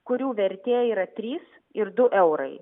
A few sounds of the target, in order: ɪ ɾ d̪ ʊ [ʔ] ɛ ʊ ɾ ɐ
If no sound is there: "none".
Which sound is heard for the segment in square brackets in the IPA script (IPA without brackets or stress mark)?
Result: ʔ